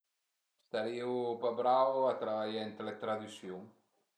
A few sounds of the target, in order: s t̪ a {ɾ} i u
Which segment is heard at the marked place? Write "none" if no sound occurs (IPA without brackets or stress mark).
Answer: ɾ